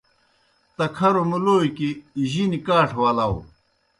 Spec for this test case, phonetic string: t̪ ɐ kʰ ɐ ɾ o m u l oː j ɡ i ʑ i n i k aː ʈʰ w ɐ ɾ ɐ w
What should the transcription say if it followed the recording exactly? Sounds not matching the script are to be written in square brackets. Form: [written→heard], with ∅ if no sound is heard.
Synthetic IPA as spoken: t̪ ɐ kʰ ɐ ɾ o m u l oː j [ɡ→k] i ʑ i n i k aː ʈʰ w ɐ [ɾ→l] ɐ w